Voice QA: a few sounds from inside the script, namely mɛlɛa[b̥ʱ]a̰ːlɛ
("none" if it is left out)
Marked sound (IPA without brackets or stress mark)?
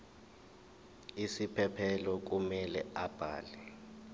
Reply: b̥ʱ